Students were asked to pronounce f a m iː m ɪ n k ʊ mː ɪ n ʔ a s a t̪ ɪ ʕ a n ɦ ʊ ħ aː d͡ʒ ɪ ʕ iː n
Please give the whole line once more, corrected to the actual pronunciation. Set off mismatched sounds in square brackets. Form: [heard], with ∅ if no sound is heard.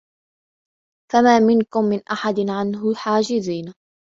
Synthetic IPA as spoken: f a m [aː] m ɪ n k ʊ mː ɪ n ʔ a [ħ] a [d̪] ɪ ʕ a n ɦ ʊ ħ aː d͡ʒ ɪ [z] iː n